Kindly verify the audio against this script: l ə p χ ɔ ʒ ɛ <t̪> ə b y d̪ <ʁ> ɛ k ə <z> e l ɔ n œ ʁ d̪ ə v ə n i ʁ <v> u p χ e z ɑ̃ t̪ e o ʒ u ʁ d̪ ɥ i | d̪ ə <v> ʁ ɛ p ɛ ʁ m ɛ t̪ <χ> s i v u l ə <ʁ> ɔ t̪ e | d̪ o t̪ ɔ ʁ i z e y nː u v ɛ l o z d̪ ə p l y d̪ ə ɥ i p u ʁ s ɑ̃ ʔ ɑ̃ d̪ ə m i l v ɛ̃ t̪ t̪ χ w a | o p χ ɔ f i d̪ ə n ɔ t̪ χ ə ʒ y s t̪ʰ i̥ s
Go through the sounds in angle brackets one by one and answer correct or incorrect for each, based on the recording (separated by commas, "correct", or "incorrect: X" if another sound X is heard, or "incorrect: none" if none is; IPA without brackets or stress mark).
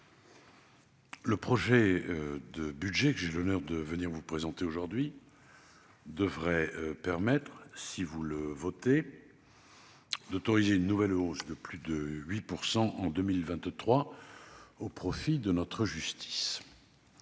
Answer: incorrect: d̪, incorrect: ʒ, incorrect: ʒ, correct, correct, correct, incorrect: v